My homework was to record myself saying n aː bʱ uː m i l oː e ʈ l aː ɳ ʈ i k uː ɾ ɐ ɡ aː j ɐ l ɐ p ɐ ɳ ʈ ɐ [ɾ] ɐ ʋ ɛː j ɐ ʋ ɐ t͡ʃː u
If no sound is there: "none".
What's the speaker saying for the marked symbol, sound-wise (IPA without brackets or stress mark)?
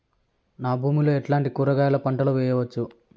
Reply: l